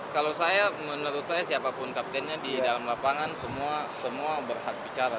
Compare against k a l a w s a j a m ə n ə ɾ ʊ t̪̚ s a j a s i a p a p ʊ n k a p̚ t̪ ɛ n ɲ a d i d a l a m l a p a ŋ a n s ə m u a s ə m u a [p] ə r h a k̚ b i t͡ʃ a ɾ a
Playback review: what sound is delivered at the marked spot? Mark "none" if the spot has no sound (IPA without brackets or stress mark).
b